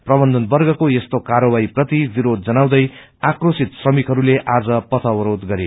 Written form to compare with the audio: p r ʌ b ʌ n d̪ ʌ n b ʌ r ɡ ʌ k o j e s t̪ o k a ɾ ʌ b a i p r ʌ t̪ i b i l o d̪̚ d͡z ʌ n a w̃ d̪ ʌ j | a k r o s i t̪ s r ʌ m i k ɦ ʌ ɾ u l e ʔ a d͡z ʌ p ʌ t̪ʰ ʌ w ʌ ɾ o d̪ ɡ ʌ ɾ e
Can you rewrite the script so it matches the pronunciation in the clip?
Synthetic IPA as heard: p r ʌ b ʌ n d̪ ʌ n b ʌ r ɡ ʌ k o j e s t̪ o k a ɾ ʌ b a i p r ʌ t̪ i b i ɾ o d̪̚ d͡z ʌ n a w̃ d̪ ʌ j | a k r o s i t̪ s r ʌ m i k ɦ ʌ ɾ u l e ʔ a d͡z ʌ p ʌ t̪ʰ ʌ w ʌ ɾ o d̪ ɡ ʌ ɾ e